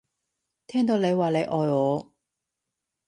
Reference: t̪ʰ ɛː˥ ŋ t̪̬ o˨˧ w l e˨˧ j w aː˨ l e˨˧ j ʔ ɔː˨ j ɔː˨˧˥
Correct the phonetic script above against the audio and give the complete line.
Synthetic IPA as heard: t̪ʰ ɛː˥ ŋ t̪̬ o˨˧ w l e˨˧ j w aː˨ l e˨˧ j ʔ ɔː˨ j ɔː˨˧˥